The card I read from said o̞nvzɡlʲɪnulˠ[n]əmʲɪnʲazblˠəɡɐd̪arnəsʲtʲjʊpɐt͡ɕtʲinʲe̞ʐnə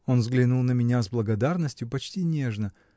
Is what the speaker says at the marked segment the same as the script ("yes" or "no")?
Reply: yes